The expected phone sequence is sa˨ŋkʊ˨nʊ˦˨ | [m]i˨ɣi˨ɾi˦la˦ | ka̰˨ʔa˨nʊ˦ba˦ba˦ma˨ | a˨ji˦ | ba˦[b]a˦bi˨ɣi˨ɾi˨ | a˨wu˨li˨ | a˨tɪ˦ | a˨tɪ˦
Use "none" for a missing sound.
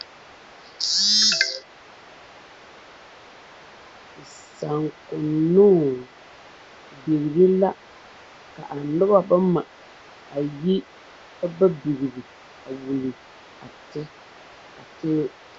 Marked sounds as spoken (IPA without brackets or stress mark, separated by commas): b, b